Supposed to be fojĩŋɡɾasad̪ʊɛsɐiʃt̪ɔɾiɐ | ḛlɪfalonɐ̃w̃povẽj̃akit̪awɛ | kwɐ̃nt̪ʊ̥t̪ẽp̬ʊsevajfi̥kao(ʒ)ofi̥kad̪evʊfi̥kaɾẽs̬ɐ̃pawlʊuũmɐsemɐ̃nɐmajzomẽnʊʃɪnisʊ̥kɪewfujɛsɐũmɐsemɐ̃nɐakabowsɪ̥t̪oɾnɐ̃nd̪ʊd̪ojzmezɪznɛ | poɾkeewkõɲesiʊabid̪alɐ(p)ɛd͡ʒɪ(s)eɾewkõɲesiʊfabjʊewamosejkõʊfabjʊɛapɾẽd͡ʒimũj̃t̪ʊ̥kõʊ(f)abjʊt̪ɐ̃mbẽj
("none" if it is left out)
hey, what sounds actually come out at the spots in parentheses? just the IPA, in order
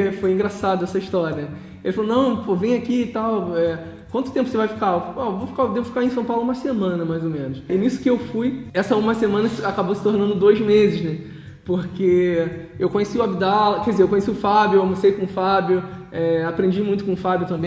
v, k, z, f

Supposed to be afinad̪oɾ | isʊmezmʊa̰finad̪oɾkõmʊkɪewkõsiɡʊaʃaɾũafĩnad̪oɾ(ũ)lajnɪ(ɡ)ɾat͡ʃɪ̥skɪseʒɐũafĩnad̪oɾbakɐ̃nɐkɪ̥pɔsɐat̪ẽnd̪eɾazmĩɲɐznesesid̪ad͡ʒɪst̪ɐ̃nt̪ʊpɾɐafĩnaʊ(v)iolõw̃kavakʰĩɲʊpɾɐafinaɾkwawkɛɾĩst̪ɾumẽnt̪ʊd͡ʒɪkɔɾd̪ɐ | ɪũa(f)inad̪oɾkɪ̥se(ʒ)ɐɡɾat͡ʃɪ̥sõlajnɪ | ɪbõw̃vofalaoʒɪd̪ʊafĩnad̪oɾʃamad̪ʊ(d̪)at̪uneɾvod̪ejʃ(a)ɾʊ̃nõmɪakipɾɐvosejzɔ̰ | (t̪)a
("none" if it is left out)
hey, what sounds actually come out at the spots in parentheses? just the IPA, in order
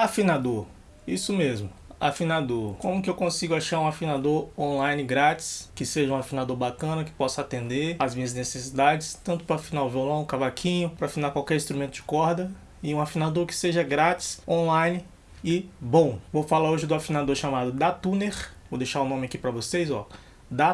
õ, ɡ, v, f, ʒ, d̪, a, d̪

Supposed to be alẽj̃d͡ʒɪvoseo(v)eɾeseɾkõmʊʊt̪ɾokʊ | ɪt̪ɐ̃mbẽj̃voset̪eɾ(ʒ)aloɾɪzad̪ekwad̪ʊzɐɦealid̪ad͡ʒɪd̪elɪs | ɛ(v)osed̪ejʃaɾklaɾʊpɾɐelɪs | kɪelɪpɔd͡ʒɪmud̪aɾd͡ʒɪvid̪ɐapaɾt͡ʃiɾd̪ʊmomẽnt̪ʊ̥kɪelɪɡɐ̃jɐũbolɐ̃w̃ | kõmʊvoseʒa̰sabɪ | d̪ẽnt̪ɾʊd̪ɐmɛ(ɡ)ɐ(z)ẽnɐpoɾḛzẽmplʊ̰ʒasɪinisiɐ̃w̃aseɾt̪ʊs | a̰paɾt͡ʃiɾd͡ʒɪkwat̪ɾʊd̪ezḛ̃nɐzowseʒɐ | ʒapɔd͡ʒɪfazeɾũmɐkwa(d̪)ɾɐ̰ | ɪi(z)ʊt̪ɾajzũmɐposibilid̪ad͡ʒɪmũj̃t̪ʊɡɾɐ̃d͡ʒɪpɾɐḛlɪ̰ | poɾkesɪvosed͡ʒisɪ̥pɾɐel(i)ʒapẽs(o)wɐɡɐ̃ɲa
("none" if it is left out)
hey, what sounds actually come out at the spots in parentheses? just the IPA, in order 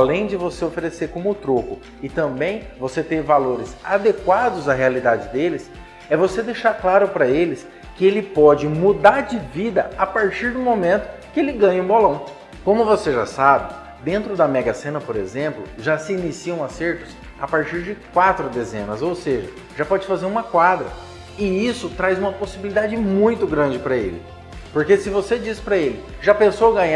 f, v, v, ɡ, s, d̪, s, ɪ, o

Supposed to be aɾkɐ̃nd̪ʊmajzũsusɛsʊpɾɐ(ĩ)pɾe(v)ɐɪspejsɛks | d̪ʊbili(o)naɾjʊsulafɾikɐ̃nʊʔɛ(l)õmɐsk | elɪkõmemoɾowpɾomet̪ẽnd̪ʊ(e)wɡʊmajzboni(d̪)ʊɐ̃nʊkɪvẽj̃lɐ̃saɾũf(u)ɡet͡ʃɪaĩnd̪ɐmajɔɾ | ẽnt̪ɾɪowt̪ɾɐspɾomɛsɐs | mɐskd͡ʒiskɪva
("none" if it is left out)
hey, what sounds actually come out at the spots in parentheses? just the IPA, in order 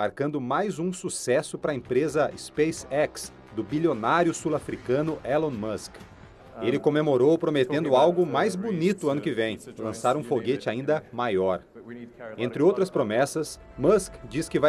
ẽ, z, o, l, a, t̪, o

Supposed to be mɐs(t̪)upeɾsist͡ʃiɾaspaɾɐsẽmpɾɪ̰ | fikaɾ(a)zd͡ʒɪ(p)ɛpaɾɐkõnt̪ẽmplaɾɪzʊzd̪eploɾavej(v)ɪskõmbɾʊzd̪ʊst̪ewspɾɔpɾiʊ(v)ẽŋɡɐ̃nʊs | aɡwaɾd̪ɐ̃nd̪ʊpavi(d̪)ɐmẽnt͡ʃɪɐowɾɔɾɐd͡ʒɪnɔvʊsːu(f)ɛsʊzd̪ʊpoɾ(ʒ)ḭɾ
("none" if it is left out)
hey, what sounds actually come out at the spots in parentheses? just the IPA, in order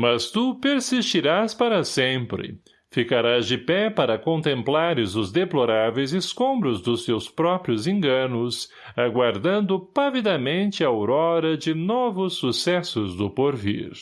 t̪, a, p, z, z, d̪, s, v

